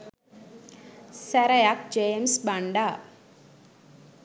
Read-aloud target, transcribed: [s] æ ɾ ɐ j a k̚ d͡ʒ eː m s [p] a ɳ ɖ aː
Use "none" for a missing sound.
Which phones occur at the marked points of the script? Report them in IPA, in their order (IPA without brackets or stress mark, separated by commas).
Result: s, b